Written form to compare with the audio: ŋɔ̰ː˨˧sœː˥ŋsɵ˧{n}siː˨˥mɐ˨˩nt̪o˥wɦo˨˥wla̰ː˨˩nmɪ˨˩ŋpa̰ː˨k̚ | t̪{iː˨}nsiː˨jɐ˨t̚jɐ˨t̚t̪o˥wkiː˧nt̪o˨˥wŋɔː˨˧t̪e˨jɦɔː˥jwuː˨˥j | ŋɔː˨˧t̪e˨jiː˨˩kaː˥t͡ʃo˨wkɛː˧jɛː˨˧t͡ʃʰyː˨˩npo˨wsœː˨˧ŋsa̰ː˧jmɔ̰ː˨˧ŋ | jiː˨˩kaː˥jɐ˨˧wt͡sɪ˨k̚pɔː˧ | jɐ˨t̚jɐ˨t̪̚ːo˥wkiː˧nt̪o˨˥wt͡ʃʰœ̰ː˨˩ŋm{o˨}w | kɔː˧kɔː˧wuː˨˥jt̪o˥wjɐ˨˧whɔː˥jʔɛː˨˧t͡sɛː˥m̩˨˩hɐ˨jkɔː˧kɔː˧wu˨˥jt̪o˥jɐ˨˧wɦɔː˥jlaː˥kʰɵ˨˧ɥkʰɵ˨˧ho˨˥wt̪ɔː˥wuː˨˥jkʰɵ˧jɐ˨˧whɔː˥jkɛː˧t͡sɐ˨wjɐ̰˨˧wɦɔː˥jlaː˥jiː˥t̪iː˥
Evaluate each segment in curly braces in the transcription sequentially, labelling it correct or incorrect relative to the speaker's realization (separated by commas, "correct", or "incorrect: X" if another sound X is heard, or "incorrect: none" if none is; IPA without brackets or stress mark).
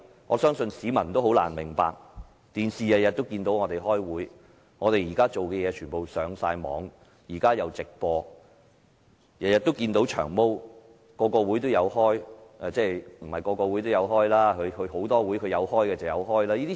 correct, correct, incorrect: o˥